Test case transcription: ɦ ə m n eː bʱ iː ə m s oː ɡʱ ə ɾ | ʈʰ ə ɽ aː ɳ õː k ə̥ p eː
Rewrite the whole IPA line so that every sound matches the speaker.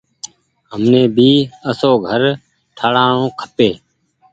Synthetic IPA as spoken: ɦ ə m n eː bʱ iː ə s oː ɡʱ ə ɾ | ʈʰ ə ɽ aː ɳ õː kʰ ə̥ p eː